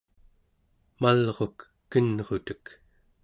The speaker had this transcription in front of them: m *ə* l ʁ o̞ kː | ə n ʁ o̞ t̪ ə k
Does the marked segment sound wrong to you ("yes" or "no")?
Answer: yes